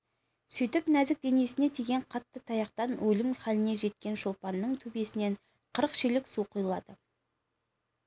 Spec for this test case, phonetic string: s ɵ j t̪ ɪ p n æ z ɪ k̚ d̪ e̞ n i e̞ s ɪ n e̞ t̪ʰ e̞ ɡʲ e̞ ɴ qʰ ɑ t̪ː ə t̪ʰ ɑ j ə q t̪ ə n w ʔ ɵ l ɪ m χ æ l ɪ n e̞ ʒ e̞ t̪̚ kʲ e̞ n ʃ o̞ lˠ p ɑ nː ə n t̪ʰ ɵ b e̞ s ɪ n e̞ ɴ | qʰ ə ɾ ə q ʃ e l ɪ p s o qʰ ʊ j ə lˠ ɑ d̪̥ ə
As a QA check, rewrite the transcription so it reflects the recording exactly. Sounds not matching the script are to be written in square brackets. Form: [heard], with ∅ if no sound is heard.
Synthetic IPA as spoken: s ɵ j t̪ ɪ p n æ z ɪ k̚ d̪ e̞ n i e̞ s ɪ n e̞ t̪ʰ e̞ ɡʲ e̞ ɴ qʰ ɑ t̪ː ə t̪ʰ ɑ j [ɑ] q t̪ [ɑ] n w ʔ ɵ l ɪ m χ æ l ɪ n e̞ ʒ e̞ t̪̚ kʲ e̞ n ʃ o̞ lˠ p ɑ nː ə [ɴ] t̪ʰ ɵ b e̞ s ɪ n e̞ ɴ | qʰ ə ɾ ə q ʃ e l ɪ [k] s [u] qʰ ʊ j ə lˠ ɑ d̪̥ ə

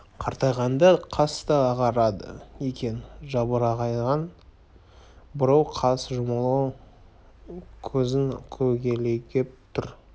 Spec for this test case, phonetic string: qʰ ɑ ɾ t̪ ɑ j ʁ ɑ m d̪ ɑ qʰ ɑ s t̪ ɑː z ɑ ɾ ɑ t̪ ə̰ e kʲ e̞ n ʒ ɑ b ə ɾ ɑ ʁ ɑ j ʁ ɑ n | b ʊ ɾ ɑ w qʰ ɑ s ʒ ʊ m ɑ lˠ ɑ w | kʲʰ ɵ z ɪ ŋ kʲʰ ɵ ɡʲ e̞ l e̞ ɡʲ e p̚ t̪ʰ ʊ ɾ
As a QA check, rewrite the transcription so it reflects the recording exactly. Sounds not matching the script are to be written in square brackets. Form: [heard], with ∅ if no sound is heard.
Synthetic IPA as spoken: qʰ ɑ ɾ t̪ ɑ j ʁ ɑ [n] d̪ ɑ qʰ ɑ s t̪ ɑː [ʁ] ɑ ɾ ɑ [d̪] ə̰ e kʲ e̞ n ʒ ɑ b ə ɾ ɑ ʁ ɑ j ʁ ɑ n | b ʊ ɾ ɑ w qʰ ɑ s ʒ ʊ m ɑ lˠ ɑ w | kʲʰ ɵ z ɪ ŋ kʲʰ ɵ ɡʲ e̞ l e̞ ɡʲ e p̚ t̪ʰ ʊ ɾ

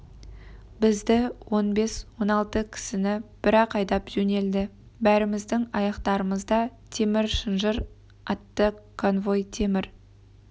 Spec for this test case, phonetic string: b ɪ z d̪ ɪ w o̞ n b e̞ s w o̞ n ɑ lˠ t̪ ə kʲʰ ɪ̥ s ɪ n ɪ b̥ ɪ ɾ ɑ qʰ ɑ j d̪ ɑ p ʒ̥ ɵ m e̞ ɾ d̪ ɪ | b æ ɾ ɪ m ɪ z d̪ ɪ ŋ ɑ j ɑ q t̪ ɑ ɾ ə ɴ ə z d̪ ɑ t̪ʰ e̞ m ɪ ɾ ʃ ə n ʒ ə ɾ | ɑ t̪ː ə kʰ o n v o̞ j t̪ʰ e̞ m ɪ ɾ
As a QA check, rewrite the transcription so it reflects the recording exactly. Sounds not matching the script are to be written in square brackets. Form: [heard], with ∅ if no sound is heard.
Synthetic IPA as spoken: b ɪ z d̪ ɪ w o̞ n b e̞ s w o̞ n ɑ lˠ t̪ ə kʲʰ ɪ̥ s ɪ n ɪ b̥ ɪ ɾ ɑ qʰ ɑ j d̪ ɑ p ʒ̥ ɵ [n] e̞ [l] d̪ ɪ | b æ ɾ ɪ m ɪ z d̪ ɪ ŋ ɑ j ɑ q t̪ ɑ ɾ ə [m] ə z d̪ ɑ t̪ʰ e̞ m ɪ ɾ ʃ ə n ʒ ə ɾ | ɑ t̪ː ə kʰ o n v o̞ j t̪ʰ e̞ m ɪ ɾ

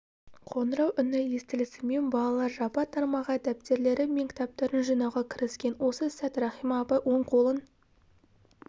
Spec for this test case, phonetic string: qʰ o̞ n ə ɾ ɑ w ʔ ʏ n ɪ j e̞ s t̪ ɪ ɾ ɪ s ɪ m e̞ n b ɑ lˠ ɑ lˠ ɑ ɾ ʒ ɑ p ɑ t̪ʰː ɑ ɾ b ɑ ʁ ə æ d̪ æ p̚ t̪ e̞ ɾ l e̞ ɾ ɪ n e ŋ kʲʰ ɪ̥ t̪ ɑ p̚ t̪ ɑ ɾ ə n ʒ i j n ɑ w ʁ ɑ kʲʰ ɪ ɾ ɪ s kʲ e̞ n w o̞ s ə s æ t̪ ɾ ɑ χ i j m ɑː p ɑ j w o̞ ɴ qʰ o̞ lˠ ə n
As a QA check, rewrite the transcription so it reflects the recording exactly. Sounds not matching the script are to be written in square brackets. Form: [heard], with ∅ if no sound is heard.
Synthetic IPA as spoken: qʰ o̞ n ə ɾ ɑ w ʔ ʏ n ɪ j e̞ s t̪ ɪ [l] ɪ s ɪ m e̞ n b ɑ lˠ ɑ lˠ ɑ ɾ ʒ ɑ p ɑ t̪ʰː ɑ ɾ [m] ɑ ʁ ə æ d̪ æ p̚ t̪ e̞ ɾ l e̞ ɾ ɪ [m] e ŋ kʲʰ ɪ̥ t̪ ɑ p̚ t̪ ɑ ɾ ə n ʒ i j n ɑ w ʁ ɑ kʲʰ ɪ ɾ ɪ s kʲ e̞ n w o̞ s ə s æ t̪ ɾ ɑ χ i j m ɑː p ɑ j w o̞ ɴ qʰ o̞ lˠ ə n

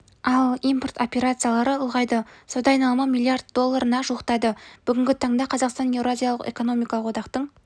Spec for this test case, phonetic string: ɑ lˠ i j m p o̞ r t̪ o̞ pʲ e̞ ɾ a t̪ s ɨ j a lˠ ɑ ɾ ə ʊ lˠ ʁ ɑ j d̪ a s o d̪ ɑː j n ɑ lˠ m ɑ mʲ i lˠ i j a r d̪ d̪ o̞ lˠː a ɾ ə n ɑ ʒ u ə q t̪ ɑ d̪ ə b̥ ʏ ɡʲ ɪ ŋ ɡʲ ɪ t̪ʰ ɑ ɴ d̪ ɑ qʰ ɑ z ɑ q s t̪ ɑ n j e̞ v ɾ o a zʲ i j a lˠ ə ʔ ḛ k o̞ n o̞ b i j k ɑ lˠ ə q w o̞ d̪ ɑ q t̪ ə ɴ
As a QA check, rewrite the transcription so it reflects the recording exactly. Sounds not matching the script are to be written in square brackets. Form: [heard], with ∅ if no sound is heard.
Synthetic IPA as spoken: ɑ lˠ i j m p o̞ r t̪ o̞ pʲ e̞ ɾ a t̪ s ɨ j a lˠ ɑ ɾ ə ʊ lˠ ʁ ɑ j d̪ [ə] s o d̪ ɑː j n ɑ lˠ m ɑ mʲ i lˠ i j a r d̪ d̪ o̞ lˠː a ɾ ə n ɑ ʒ u ə q t̪ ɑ d̪ ə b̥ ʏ ɡʲ ɪ ŋ ɡʲ ɪ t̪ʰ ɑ ɴ d̪ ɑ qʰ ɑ z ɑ q s t̪ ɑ n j e̞ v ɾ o a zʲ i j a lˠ ə [q] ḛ k o̞ n o̞ [m] i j k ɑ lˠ ə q w o̞ d̪ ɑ q t̪ ə ɴ

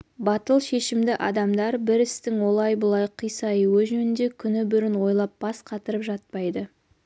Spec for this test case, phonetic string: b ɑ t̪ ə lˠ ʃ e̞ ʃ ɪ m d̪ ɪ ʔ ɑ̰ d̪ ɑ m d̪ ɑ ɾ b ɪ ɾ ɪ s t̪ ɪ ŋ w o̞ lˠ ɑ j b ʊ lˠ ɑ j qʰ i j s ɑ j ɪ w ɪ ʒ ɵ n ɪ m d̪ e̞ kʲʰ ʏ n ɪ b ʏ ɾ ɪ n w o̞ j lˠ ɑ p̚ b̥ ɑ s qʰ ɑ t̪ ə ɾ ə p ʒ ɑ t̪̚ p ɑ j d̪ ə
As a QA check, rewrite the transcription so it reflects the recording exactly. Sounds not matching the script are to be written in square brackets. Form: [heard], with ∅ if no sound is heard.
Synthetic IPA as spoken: b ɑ t̪ ə lˠ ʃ e̞ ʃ ɪ m d̪ ɪ ʔ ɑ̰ d̪ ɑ m d̪ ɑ ɾ b ɪ ɾ ɪ s t̪ ɪ ŋ w o̞ lˠ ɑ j b ʊ lˠ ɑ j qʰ i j s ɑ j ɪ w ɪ ʒ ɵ n ɪ [n] d̪ e̞ kʲʰ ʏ n ɪ b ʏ ɾ ɪ n w o̞ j lˠ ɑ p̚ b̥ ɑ s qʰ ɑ t̪ ə ɾ ə p ʒ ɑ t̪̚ p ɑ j d̪ ə

